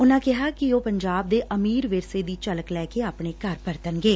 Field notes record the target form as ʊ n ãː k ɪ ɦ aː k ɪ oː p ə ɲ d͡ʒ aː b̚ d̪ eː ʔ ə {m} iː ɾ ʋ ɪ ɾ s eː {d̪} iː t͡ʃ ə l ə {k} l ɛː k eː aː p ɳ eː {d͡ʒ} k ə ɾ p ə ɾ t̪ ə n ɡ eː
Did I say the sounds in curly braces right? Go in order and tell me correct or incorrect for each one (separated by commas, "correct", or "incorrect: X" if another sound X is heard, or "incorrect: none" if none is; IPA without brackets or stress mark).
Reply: correct, correct, correct, incorrect: none